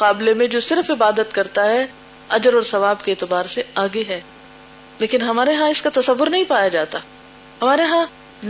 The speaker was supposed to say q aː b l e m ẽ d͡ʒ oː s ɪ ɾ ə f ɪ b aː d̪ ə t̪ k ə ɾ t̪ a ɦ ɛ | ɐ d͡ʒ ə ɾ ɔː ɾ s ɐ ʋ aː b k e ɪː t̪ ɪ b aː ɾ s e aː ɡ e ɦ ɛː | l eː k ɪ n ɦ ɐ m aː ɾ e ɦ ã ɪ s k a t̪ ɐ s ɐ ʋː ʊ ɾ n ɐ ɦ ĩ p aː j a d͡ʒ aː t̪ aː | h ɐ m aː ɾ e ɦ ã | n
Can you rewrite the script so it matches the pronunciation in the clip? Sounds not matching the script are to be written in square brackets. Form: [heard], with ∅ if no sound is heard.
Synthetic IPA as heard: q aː b l e m ẽ d͡ʒ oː s ɪ ɾ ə f ɪ b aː d̪ ə t̪ k [ɐ] ɾ t̪ a ɦ ɛ | ɐ d͡ʒ ə ɾ ɔː ɾ s ɐ ʋ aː b k e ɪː t̪ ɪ b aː ɾ s e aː ɡ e ɦ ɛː | l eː k ɪ n ɦ ɐ m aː ɾ e ɦ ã ɪ s k a t̪ ɐ s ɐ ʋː ʊ ɾ n ɐ ɦ ĩ p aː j a d͡ʒ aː t̪ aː | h ɐ m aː ɾ e ɦ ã | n